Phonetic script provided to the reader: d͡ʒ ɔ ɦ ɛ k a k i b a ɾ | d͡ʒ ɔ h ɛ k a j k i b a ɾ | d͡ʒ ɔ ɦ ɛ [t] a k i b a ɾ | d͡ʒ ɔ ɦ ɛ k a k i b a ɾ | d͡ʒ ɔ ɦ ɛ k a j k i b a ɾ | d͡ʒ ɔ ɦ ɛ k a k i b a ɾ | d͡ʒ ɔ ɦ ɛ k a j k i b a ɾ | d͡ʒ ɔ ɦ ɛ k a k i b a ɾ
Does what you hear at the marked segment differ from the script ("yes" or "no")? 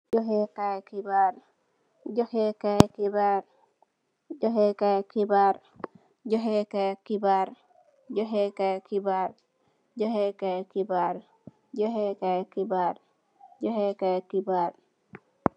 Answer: yes